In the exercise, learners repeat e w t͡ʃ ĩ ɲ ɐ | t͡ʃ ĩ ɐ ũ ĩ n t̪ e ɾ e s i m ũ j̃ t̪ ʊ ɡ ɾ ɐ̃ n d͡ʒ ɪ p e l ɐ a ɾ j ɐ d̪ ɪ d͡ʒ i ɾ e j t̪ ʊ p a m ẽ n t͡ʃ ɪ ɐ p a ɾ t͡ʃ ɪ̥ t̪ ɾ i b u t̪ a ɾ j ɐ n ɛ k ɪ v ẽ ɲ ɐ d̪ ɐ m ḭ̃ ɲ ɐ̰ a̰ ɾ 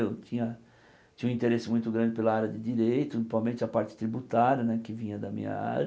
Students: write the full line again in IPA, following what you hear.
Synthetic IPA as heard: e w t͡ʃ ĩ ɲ ɐ | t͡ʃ ĩ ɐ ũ ĩ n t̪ e ɾ e s ɪ m ũ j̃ t̪ ʊ ɡ ɾ ɐ̃ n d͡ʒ ɪ p e l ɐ a ɾ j ɐ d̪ ɪ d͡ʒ i ɾ e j t̪ ʊ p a m ẽ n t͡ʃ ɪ ɐ p a ɾ t͡ʃ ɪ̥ t̪ ɾ i b u t̪ a ɾ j ɐ n ɛ k ɪ v ĩ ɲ ɐ d̪ ɐ m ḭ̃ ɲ ɐ̰ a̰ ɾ